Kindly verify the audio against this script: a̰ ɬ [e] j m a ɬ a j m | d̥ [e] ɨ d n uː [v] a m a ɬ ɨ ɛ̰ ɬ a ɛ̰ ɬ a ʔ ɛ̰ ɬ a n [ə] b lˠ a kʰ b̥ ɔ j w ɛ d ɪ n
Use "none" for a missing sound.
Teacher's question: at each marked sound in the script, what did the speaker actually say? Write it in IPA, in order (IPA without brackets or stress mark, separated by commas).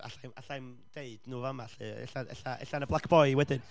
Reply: a, e, v, ə